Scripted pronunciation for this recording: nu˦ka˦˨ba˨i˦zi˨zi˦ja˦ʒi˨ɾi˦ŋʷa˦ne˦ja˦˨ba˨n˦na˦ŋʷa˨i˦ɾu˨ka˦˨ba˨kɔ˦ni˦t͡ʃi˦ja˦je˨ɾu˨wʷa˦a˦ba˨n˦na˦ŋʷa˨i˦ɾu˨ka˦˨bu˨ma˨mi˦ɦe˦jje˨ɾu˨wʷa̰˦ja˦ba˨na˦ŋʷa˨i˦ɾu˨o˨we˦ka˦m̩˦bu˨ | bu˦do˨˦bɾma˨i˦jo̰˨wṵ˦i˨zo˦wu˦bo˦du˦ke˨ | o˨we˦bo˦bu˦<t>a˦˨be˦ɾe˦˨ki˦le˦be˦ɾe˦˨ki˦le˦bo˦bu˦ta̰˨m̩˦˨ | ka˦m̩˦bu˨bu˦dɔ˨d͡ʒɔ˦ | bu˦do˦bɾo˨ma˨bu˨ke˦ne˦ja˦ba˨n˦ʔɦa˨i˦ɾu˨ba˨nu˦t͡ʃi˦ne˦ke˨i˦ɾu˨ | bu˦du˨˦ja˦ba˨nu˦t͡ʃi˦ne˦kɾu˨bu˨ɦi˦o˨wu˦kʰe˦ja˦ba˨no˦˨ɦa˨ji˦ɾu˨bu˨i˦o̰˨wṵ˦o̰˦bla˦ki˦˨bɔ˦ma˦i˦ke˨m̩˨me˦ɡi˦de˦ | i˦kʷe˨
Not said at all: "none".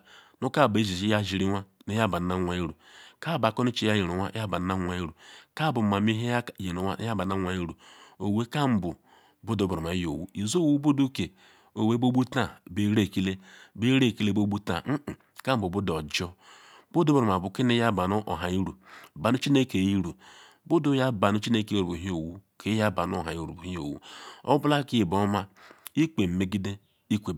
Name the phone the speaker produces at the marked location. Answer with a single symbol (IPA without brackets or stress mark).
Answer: t